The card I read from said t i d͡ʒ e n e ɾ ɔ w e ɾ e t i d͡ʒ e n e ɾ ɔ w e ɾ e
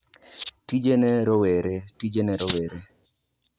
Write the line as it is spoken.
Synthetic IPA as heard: t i d͡ʒ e n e ɾ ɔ w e ɾ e t i d͡ʒ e n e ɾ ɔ w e ɾ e